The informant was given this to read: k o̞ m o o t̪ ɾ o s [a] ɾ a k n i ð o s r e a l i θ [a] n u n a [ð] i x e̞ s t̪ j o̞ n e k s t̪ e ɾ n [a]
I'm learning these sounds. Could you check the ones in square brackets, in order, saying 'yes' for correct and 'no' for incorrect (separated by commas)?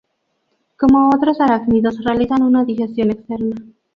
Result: yes, yes, yes, yes